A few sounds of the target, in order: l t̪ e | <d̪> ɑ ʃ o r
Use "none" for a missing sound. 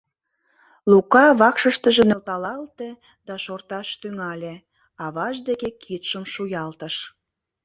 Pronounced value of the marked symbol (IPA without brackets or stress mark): d̪